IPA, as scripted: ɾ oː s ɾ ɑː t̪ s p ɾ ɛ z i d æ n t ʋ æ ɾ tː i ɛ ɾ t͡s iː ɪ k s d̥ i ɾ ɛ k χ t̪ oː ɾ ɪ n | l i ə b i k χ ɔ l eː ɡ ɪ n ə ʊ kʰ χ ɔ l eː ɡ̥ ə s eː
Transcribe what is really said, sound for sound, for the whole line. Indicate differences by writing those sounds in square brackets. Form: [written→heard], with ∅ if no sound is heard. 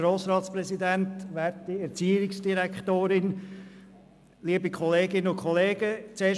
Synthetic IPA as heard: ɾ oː s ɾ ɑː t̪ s p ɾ ɛ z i d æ n t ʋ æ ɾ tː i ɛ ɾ t͡s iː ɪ k s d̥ i ɾ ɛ k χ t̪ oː ɾ ɪ n | l i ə b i k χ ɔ l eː ɡ ɪ n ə ʊ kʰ χ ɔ l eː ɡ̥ ə [s→t͡s] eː